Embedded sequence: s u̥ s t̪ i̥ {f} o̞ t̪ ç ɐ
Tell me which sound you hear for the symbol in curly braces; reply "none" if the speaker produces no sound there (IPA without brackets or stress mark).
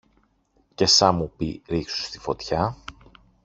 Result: f